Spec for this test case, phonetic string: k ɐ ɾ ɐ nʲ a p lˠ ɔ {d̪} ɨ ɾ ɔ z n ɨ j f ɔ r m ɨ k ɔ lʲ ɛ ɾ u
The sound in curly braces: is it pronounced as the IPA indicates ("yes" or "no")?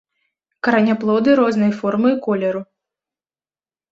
yes